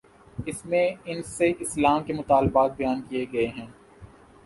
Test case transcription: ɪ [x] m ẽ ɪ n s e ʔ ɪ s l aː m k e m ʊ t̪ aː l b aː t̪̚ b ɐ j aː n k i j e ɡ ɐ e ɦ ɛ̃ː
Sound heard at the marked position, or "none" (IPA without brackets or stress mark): s